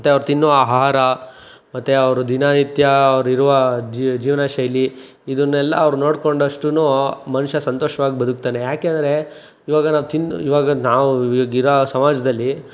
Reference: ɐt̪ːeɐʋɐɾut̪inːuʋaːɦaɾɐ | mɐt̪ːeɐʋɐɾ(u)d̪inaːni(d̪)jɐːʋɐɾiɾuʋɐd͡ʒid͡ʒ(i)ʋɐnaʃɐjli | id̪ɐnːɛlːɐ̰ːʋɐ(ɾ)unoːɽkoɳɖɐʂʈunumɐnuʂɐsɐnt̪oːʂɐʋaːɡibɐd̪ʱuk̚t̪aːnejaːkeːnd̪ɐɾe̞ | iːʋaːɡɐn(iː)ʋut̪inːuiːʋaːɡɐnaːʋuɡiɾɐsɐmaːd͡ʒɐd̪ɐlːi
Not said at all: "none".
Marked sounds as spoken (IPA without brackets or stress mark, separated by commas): u, t̪, iː, ɾ, aː